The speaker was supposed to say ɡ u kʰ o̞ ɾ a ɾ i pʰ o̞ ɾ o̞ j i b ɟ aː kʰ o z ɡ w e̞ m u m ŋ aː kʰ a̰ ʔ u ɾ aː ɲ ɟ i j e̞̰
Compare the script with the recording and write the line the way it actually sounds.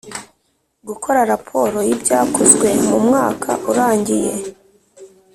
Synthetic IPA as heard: ɡ u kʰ o̞ ɾ a ɾ a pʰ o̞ ɾ o̞ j i b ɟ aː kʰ o z ɡ w e̞ m u m ŋ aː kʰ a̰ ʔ u ɾ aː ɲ ɟ i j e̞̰

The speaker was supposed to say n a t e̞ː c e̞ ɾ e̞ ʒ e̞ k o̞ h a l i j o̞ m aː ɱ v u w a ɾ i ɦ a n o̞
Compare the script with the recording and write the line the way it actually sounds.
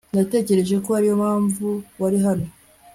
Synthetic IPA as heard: n a t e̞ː c e̞ ɾ e̞ ʒ e̞ k o̞ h a ɾ i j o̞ m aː ɱ v u w a ɾ i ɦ a n o̞

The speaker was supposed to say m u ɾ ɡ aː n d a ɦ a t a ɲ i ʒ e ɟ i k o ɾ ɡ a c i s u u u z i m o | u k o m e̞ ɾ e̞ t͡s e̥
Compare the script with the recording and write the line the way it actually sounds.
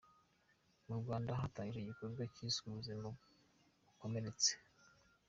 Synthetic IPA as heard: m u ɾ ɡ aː n d a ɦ a t a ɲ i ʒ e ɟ i k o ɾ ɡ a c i s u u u z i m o | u k o m e̞ ɾ e̞ t͡s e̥

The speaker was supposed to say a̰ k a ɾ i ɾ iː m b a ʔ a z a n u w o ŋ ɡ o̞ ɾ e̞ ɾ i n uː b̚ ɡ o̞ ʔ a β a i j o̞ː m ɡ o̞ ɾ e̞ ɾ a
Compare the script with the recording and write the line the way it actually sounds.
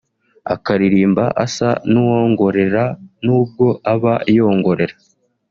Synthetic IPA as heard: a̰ k a ɾ i ɾ iː m b a ʔ a s a n u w o ŋ ɡ o̞ ɾ e̞ ɾ a n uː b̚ ɡ o̞ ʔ a β a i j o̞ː ŋ ɡ o̞ ɾ e̞ ɾ a

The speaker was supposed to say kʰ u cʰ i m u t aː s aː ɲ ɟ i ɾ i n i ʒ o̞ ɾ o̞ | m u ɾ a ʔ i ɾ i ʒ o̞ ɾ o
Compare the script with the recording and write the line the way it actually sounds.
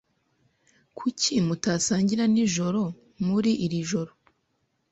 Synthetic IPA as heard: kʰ u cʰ i m u t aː s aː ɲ ɟ i ɾ a n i ʒ o̞ ɾ o̞ | m u ɾ i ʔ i ɾ i ʒ o̞ ɾ o

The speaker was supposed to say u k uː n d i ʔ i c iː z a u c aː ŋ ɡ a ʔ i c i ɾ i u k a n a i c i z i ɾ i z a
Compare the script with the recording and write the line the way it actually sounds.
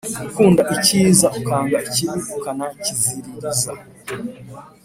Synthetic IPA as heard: u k uː n d a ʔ i c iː z a u k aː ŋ ɡ a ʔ i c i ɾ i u k a n a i c i z i ɾ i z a

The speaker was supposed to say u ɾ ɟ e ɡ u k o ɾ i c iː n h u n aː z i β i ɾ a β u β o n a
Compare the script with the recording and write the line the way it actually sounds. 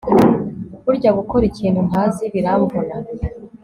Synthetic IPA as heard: u ɾ ɟ a ɡ u k o ɾ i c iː n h u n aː z i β i ɾ a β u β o n a

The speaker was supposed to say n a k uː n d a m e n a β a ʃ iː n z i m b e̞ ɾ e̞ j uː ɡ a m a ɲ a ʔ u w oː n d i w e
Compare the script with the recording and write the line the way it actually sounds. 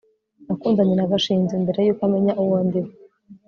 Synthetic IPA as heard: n a k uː n d a ɲ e n a β a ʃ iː n z i m b e̞ ɾ e̞ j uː k a m e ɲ a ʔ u w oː n d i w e

